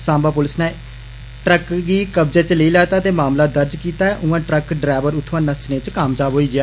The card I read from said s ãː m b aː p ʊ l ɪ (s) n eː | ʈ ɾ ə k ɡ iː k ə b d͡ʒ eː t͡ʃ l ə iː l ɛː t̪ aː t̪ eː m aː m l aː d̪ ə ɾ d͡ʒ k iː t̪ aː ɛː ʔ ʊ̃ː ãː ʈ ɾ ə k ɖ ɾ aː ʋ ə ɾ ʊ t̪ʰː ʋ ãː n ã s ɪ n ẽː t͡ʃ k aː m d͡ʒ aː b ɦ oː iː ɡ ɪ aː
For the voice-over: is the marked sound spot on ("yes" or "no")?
yes